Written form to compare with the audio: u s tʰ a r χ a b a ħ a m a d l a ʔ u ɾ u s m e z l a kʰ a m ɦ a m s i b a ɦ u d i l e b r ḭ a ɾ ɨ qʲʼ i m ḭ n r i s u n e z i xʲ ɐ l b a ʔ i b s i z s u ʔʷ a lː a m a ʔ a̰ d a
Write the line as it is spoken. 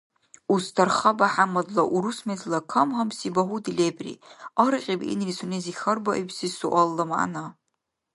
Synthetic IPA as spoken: u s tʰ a r χ a b a ħ a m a d l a ʔ u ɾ u s m e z l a kʰ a m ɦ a m s i b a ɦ u d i l e b r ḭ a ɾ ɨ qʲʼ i b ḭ n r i s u n e z i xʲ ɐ r b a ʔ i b s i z s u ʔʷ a lː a m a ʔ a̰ n a